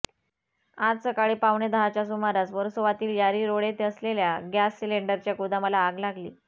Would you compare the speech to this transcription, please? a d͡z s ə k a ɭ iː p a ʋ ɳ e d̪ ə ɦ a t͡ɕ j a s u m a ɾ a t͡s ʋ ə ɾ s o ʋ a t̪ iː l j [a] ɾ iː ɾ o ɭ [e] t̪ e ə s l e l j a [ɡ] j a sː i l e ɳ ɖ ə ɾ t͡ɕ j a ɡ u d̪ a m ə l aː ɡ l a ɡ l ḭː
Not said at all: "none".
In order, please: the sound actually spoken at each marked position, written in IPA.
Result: a, e, ɡ

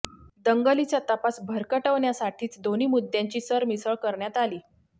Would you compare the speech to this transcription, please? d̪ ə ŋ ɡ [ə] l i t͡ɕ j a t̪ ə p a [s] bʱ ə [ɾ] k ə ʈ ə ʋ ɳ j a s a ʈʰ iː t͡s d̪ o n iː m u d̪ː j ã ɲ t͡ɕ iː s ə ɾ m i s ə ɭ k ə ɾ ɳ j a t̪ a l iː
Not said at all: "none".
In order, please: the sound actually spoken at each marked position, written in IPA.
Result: ə, s, ɾ

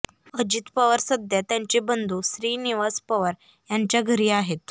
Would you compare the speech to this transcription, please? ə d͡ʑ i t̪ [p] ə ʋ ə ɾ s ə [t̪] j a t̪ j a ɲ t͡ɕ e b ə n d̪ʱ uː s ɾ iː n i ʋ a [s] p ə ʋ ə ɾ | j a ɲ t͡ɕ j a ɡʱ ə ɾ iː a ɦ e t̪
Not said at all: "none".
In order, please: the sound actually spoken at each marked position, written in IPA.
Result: p, d̪, s

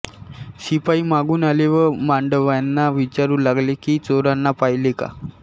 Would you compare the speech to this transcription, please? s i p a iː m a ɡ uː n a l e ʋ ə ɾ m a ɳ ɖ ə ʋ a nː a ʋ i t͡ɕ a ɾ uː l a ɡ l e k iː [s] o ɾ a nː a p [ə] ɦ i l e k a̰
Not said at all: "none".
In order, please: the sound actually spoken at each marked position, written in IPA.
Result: t͡s, a

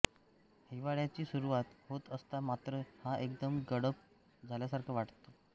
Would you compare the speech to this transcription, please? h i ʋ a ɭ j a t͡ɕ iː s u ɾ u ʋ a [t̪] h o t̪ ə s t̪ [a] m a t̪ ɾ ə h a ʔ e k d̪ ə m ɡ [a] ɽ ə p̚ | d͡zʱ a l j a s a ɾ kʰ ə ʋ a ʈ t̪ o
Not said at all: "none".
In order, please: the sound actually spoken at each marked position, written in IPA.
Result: t̪, a, ə

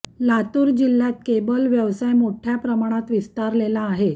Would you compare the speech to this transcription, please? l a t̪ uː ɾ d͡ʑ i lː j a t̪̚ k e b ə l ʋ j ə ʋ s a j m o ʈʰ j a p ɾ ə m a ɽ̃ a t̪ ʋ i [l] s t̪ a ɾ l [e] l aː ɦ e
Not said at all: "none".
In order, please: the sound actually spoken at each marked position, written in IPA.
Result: none, e

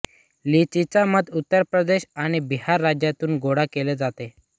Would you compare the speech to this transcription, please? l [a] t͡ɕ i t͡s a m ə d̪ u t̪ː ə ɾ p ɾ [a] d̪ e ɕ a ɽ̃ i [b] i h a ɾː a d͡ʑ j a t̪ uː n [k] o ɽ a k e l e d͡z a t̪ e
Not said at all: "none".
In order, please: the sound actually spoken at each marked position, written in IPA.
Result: i, ə, b, ɡ

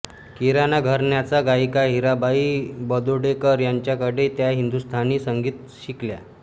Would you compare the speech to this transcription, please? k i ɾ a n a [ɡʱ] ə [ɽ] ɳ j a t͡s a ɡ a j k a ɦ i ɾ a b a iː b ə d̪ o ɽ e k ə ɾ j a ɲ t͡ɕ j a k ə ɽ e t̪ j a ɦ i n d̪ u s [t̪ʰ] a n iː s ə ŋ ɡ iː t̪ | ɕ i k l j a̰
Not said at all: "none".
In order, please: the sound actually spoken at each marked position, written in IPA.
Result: ɡʱ, ɾ, t̪ʰ

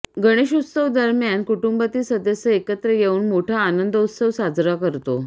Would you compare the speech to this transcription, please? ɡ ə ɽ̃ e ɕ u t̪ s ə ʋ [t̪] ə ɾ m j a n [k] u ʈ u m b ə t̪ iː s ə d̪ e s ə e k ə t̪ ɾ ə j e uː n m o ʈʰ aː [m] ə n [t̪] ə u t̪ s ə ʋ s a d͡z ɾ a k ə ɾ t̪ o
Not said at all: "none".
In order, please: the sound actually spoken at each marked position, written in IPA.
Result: d̪, k, n, d̪

